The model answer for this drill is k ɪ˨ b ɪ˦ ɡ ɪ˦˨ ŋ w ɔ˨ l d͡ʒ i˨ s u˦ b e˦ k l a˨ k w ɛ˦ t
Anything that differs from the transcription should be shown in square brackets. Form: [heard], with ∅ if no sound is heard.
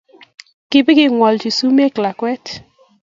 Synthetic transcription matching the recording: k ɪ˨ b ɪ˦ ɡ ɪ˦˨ ŋ w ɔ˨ l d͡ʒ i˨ s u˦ [m] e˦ k l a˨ k w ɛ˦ t